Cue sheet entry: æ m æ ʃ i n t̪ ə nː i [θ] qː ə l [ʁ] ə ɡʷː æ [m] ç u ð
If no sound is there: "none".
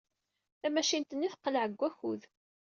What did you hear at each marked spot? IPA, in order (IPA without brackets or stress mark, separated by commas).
θ, ʕ, none